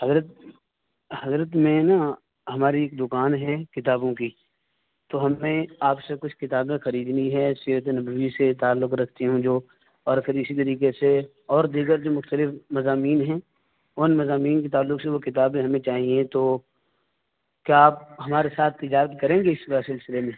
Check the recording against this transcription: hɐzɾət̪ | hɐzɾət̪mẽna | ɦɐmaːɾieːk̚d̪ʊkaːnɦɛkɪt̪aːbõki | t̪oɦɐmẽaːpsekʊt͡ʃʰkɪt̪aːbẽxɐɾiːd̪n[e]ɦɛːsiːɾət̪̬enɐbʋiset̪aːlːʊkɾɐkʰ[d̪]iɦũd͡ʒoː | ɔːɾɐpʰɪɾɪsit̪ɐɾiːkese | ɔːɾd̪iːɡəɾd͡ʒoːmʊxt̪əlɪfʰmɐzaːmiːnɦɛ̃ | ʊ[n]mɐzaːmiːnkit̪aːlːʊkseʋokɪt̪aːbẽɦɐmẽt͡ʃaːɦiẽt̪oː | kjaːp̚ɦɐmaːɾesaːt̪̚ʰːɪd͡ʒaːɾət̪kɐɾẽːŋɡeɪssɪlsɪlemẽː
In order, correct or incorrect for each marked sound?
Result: incorrect, incorrect, correct

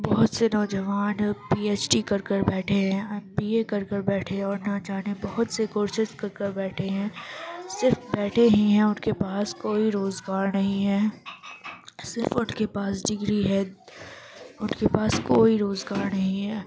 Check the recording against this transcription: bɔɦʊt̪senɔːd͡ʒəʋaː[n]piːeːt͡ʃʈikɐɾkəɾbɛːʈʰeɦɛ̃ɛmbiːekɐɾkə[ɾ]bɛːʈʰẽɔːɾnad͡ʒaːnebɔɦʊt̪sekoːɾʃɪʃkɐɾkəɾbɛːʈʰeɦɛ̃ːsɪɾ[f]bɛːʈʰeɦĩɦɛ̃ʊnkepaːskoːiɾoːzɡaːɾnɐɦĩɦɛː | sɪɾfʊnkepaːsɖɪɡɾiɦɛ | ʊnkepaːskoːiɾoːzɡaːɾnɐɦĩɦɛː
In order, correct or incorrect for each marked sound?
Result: correct, correct, correct

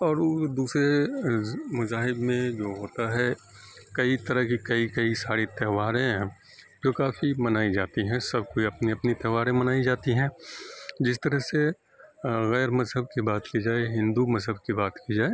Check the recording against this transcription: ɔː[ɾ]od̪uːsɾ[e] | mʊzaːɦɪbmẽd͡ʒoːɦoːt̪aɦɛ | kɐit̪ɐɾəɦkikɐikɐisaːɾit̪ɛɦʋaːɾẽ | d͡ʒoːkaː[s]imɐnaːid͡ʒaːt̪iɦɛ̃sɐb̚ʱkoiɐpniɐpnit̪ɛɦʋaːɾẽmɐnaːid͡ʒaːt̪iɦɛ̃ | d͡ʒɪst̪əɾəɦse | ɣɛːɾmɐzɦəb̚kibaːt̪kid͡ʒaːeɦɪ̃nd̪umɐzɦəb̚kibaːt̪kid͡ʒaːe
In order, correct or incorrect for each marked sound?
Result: correct, correct, incorrect

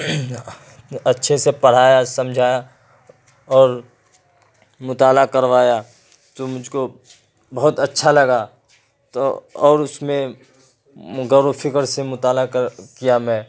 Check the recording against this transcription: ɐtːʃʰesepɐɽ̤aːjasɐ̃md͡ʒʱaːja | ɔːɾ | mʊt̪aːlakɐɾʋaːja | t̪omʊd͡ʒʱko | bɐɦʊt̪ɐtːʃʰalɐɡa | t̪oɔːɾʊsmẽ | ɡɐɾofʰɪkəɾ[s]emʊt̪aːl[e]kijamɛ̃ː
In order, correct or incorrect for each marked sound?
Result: correct, incorrect

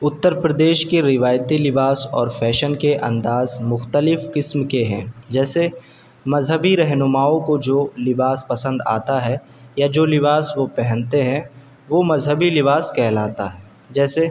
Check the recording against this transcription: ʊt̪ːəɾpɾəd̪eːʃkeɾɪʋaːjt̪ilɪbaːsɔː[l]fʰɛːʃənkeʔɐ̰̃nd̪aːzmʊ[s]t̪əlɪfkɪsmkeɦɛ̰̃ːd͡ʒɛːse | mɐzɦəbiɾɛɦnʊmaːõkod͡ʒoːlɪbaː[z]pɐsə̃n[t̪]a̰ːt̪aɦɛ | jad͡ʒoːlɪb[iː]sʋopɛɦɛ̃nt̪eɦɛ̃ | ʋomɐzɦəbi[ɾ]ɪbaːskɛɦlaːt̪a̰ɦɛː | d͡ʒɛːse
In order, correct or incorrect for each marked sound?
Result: incorrect, incorrect, incorrect, incorrect, incorrect, incorrect

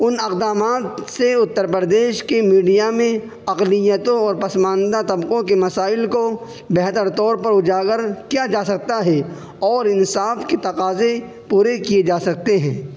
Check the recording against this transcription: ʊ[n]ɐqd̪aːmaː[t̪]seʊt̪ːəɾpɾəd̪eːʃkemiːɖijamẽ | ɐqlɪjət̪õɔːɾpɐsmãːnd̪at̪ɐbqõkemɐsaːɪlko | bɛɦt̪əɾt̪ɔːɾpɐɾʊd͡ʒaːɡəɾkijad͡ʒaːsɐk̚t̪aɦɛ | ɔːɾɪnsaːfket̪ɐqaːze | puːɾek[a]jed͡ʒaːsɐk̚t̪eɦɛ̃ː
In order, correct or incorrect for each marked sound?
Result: correct, correct, incorrect

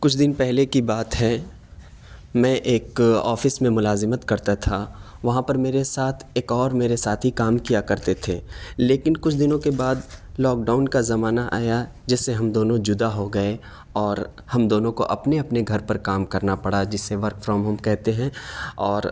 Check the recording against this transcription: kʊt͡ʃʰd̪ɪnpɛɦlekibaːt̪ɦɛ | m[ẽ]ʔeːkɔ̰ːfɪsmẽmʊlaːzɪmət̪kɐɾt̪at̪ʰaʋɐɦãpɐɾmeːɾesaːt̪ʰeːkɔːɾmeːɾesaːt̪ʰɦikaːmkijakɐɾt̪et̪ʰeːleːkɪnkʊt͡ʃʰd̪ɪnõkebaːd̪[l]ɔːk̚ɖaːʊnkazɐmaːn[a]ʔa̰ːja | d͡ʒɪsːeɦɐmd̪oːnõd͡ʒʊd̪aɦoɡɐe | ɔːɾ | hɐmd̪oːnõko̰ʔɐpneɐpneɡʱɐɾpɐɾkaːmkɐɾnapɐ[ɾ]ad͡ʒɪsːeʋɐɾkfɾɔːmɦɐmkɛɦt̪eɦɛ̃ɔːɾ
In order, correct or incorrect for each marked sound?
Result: incorrect, correct, correct, incorrect

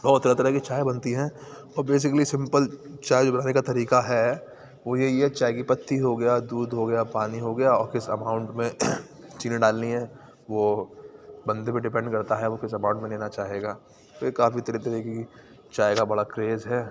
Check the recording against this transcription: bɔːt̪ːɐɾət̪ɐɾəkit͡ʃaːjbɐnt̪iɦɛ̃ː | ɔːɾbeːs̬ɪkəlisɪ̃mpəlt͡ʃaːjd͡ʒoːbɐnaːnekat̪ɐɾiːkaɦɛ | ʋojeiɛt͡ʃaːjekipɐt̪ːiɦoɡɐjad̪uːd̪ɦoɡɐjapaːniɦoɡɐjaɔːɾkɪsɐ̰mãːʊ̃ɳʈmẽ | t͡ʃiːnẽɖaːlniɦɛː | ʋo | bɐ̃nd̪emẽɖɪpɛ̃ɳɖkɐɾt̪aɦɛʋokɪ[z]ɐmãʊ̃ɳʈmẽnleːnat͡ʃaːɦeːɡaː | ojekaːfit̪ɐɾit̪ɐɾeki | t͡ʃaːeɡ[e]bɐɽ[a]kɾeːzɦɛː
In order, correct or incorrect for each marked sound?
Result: incorrect, incorrect, correct

